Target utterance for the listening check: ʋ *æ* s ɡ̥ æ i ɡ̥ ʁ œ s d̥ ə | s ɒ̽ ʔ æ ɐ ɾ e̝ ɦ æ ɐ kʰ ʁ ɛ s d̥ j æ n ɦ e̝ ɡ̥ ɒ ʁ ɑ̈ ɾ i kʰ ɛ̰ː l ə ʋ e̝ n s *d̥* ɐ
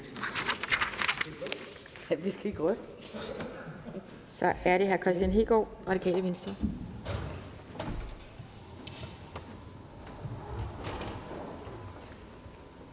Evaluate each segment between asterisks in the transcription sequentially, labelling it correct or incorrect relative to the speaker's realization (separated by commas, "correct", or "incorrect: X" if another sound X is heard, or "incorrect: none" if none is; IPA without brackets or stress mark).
incorrect: i, correct